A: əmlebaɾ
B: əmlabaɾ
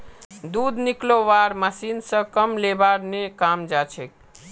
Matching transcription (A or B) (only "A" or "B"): A